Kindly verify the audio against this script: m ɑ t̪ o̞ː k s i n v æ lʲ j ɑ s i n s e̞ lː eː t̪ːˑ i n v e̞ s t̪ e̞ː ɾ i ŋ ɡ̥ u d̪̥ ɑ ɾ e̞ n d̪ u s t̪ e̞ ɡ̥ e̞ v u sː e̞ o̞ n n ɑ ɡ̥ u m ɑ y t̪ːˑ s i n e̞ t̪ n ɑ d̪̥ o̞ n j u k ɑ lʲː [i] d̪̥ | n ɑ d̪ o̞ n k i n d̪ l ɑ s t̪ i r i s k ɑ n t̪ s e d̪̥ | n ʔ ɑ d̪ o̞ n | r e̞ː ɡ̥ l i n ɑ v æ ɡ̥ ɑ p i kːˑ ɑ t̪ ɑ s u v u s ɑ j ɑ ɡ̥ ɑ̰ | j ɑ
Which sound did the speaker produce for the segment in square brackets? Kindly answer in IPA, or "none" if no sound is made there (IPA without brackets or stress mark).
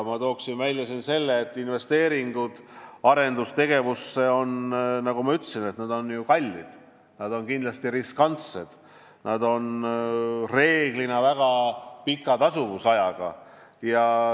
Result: i